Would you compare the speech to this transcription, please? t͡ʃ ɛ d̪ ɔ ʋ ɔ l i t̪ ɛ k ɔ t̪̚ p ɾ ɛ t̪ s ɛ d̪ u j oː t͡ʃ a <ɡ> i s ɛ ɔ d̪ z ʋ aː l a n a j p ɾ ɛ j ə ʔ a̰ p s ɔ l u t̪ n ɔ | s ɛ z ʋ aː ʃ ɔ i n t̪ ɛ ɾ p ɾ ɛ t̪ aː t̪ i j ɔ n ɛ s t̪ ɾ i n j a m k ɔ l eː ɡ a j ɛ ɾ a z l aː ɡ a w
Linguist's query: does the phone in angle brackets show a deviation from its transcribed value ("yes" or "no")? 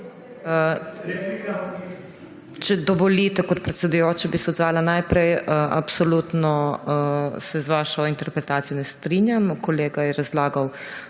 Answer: yes